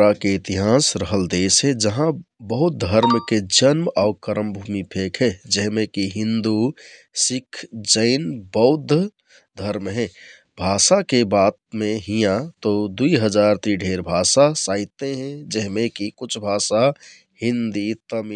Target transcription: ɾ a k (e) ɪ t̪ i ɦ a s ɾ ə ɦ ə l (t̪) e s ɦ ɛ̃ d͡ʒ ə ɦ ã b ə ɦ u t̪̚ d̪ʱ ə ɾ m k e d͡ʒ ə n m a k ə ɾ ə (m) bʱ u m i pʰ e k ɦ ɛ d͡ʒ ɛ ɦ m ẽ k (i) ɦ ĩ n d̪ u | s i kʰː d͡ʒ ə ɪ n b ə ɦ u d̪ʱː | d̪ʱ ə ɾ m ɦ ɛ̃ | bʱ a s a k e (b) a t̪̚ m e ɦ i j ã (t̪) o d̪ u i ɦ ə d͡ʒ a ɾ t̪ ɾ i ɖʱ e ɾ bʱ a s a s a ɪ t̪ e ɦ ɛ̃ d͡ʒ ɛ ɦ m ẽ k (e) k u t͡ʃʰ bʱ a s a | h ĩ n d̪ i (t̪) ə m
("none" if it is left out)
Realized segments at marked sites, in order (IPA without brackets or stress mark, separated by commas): e, d̪, m, i, b, t̪, i, t̪